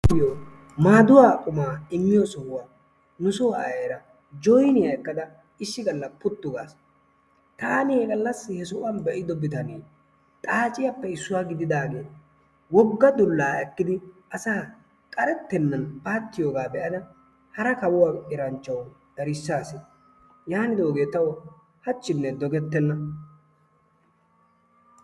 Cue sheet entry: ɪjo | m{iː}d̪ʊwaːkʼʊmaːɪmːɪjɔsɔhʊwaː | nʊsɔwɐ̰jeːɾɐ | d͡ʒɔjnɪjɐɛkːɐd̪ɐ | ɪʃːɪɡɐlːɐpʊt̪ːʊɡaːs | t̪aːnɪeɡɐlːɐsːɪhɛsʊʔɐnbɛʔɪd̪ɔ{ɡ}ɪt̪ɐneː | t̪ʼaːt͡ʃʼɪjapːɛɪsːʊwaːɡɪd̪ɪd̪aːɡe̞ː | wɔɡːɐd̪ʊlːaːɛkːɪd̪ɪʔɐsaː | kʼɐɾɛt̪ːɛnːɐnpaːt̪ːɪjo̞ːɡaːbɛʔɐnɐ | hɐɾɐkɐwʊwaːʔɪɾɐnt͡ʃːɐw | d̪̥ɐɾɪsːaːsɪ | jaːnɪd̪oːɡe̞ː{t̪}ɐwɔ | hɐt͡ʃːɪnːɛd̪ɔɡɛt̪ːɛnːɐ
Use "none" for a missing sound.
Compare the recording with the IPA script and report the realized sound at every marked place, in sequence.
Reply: aː, b, t̪

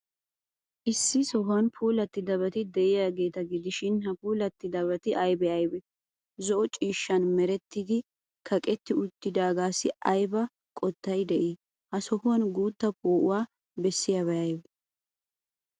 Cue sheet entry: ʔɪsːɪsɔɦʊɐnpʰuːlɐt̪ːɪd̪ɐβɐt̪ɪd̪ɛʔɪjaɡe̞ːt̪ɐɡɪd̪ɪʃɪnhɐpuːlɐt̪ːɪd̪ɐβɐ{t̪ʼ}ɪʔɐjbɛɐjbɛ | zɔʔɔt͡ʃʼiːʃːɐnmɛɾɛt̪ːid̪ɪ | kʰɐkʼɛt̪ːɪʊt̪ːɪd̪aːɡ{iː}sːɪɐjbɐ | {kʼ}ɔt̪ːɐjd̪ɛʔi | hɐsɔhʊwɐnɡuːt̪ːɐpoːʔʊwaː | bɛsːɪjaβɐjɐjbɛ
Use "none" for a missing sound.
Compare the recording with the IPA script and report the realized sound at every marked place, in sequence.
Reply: t̪, aː, kʼ

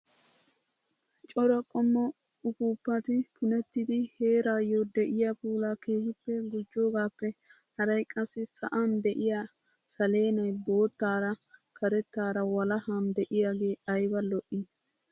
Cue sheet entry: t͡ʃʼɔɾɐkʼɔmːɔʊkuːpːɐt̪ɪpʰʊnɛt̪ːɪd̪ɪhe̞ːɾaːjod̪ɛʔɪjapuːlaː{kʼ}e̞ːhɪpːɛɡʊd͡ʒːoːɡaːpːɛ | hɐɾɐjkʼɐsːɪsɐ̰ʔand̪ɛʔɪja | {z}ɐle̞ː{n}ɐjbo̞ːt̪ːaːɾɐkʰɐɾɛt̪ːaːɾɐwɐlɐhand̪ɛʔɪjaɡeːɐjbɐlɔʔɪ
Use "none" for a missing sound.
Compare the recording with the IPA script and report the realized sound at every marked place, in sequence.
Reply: k, s, n

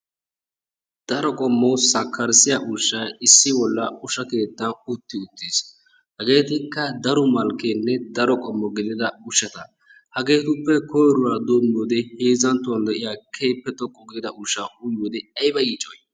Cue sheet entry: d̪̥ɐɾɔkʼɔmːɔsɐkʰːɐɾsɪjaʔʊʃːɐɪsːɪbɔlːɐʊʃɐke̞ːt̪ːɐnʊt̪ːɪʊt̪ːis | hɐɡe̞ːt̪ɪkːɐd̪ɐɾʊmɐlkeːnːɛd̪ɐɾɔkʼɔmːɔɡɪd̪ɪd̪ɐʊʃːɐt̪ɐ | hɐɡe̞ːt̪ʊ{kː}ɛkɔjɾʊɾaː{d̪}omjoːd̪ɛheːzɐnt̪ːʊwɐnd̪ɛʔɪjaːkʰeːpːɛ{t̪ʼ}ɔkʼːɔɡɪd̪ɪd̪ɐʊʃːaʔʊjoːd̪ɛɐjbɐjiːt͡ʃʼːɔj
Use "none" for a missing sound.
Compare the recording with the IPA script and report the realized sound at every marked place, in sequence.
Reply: pː, d̪, t̪

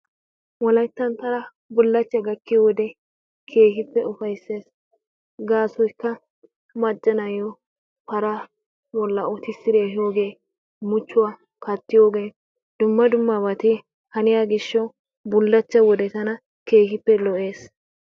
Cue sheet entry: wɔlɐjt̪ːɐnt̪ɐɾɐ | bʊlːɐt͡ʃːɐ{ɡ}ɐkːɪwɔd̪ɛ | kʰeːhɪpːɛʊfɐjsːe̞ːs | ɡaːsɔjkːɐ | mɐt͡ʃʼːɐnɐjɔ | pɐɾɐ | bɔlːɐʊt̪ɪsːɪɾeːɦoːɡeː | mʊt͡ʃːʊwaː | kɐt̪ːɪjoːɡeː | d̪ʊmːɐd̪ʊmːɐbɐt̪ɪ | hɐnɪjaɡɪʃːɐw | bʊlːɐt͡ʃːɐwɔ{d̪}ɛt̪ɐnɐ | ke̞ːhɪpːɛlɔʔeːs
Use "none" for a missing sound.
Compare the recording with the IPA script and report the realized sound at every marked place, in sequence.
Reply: ɡ, d̪

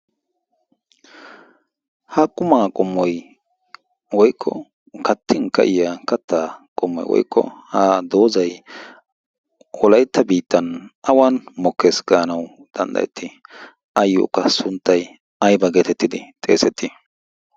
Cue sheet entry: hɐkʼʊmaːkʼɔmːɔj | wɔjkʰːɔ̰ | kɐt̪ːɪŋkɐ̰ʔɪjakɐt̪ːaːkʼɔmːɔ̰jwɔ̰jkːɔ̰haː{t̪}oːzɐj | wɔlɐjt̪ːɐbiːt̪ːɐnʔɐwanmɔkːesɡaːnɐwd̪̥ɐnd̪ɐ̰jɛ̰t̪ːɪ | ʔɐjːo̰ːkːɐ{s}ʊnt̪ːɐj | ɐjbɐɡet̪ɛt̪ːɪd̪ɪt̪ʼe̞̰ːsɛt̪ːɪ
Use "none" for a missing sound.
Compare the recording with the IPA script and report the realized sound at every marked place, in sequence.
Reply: d̪, s

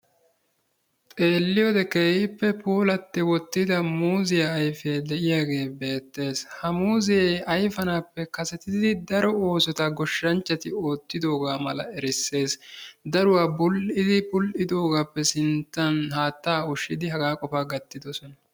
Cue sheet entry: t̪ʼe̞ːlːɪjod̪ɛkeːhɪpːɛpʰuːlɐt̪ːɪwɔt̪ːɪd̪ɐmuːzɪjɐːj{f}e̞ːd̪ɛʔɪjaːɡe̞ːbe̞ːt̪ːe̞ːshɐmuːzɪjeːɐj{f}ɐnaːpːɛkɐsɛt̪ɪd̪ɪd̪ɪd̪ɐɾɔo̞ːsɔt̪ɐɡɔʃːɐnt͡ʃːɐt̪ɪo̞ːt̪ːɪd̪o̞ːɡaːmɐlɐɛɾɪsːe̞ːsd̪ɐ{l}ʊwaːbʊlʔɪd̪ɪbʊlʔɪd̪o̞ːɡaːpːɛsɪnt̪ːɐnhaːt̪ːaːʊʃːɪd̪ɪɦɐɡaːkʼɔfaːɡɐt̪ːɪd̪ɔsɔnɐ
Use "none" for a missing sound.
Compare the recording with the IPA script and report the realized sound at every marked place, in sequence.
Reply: f, f, ɾ

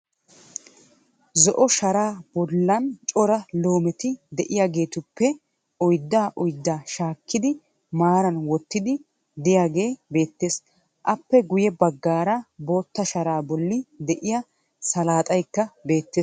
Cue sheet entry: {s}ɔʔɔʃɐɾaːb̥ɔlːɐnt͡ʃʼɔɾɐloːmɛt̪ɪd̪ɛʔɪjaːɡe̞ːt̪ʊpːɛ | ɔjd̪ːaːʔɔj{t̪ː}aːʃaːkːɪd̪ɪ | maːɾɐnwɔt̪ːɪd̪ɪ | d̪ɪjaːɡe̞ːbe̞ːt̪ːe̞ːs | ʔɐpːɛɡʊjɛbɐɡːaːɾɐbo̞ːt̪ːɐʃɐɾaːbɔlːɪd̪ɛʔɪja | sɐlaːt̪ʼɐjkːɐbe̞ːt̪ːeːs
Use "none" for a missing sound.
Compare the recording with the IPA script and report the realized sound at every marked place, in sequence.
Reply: z, d̪ː

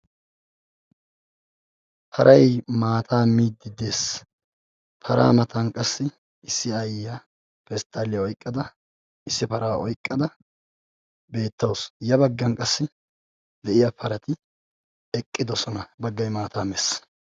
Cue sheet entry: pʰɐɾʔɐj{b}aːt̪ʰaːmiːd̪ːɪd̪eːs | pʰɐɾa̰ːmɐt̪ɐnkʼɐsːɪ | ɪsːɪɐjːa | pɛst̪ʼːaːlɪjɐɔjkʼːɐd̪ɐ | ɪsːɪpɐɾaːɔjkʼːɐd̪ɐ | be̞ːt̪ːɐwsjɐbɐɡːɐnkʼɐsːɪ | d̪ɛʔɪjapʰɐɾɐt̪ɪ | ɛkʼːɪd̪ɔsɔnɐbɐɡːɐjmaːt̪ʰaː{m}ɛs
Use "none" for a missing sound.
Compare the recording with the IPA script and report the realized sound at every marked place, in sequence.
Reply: m, m

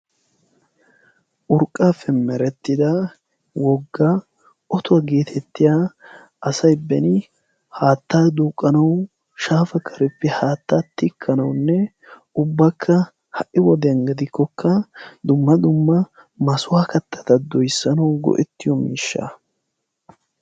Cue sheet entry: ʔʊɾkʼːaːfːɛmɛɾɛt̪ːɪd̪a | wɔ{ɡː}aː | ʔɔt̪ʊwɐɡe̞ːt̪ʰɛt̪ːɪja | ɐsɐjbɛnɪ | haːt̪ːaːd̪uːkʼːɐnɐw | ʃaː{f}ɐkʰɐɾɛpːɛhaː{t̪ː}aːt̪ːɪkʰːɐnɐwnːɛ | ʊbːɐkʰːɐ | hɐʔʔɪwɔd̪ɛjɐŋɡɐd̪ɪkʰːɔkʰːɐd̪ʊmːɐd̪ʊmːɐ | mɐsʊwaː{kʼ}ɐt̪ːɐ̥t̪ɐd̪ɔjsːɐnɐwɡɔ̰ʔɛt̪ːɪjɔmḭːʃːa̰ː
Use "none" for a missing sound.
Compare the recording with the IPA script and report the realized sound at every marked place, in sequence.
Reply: ɡː, f, t̪ː, k

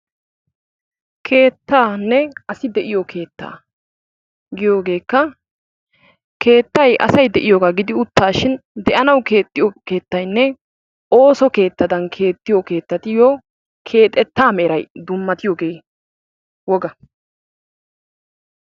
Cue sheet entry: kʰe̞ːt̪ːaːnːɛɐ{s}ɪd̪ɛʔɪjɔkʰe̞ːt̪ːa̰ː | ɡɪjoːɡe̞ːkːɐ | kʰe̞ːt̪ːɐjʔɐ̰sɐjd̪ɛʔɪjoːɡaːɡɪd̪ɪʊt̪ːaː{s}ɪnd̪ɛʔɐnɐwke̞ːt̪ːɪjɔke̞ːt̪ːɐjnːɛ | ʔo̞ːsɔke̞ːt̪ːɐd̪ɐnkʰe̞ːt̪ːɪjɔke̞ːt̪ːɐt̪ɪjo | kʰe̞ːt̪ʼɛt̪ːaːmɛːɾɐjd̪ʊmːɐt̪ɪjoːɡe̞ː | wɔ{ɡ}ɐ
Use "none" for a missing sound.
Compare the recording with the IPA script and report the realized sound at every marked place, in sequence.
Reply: s, ʃ, ɡ

